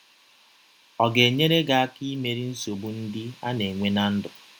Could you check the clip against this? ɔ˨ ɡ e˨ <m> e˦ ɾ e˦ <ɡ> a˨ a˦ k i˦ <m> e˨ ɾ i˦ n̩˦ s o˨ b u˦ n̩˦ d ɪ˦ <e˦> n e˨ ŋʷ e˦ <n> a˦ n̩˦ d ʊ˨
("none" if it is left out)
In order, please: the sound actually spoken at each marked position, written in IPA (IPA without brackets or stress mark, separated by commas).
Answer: ɲ, ɡ, m, a˦, n